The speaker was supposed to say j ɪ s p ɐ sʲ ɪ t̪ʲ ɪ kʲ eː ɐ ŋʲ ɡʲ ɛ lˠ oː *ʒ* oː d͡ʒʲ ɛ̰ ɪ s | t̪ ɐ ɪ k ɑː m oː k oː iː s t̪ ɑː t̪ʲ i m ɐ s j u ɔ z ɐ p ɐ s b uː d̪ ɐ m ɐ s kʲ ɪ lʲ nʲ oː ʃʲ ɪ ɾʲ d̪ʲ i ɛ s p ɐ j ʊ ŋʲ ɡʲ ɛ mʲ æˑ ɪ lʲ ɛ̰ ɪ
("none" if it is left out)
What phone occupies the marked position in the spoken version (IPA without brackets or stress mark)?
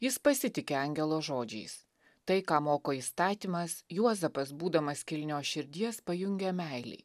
ʒ